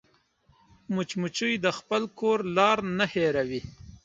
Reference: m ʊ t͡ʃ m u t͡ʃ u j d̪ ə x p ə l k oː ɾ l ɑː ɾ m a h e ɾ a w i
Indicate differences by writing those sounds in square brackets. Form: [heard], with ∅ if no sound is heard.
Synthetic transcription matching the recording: m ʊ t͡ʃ m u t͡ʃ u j d̪ ə x p ə l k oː ɾ l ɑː ɾ [n] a h e ɾ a w i